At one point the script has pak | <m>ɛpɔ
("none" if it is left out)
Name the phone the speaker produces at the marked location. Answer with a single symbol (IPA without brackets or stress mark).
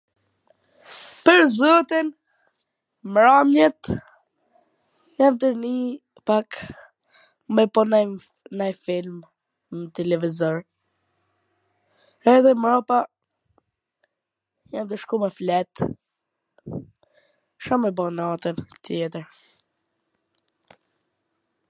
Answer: m